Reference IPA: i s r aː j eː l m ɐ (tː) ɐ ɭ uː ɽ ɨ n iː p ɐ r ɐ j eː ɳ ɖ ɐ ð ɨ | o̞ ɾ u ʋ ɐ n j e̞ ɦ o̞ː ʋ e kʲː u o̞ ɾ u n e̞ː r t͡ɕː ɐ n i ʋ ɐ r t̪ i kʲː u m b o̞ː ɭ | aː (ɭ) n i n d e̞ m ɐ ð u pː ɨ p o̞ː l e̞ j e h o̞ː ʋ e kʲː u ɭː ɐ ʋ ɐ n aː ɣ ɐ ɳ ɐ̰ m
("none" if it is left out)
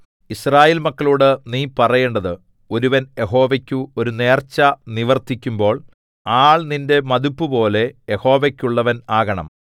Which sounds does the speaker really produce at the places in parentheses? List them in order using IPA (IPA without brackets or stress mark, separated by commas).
kː, ɭ